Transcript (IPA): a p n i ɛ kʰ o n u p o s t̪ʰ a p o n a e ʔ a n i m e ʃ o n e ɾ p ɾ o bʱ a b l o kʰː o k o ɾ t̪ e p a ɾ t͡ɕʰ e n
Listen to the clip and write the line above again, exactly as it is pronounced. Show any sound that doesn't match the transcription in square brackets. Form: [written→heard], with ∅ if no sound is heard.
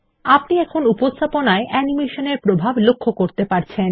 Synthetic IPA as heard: a p n i ɛ kʰ o n u p o s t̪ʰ a p o n a e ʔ [a→ɛ] n i m e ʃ o n e ɾ p ɾ o bʱ a b l o kʰː o k o ɾ t̪ e p a ɾ t͡ɕʰ e n